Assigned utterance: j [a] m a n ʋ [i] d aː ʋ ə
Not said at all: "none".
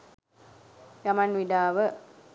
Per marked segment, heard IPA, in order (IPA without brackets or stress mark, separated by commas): a, i